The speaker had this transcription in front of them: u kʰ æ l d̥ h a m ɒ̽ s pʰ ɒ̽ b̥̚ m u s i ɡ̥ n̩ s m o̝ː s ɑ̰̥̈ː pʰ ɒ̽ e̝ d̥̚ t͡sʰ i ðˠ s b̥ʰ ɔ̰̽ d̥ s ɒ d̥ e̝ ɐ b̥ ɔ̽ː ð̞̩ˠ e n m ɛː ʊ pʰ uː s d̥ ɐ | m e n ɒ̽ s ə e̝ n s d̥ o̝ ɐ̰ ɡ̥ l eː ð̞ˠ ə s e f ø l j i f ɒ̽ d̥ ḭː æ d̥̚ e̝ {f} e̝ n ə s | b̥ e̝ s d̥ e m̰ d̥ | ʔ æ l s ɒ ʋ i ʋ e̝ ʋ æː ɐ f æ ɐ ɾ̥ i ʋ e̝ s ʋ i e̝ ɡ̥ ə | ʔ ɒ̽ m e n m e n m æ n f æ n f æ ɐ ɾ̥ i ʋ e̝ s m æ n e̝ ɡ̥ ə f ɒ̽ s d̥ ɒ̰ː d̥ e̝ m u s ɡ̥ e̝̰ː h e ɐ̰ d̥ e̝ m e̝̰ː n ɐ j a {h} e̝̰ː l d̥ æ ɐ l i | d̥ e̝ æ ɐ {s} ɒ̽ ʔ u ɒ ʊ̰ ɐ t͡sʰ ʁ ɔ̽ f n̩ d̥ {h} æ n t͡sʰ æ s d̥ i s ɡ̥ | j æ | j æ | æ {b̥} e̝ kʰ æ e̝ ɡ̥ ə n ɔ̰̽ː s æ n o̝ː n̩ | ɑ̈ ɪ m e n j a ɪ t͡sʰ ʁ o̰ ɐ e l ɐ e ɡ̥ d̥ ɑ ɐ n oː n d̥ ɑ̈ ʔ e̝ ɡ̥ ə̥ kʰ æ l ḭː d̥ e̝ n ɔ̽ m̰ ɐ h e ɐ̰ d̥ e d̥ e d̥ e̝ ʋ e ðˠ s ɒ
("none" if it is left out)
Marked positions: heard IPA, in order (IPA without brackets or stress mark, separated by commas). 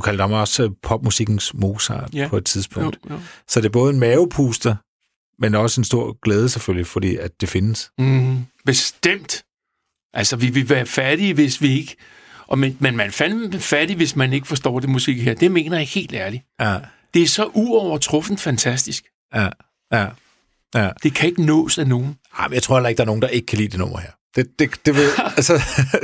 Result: f, h, s, f, d̥